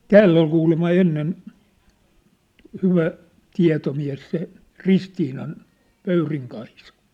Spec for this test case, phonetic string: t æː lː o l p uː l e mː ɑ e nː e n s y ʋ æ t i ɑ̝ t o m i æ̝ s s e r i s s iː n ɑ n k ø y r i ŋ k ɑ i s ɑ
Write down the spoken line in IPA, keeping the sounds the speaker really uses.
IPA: t æː lː o l k uː l e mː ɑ e nː e n h y ʋ æ t i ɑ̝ t o m i æ̝ s s e r i s t iː n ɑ n p ø y r i ŋ k ɑ i s ɑ